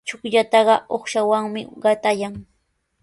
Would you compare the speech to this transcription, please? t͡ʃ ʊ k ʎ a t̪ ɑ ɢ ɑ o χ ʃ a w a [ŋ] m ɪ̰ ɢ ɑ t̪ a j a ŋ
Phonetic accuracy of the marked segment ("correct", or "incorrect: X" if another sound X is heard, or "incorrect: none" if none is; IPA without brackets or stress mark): correct